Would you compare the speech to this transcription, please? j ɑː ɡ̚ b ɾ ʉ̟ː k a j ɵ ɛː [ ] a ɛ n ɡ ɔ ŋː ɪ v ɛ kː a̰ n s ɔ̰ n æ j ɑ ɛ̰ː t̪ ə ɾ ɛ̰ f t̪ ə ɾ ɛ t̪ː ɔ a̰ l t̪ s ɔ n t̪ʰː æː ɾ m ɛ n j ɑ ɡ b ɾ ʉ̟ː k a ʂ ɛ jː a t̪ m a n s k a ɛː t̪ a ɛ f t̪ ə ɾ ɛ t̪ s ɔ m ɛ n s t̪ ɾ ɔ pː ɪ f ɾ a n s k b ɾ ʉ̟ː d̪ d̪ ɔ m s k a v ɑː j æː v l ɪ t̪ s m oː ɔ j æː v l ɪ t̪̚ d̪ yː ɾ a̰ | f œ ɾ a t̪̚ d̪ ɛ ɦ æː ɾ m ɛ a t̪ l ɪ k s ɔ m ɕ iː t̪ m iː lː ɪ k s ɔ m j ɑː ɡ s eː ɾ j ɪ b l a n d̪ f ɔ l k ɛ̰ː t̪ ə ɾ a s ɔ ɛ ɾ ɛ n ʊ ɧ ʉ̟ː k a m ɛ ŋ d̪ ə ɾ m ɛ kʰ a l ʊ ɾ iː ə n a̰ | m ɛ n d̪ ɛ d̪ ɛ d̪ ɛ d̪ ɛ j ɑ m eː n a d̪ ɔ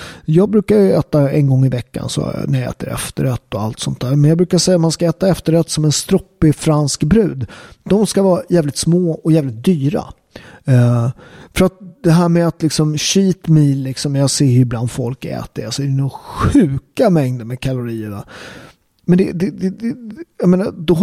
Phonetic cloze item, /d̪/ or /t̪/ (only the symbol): t̪